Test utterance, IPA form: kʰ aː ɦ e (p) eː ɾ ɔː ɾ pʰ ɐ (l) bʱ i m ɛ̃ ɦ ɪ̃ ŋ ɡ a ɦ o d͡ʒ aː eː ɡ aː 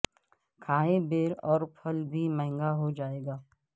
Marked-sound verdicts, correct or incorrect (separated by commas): incorrect, correct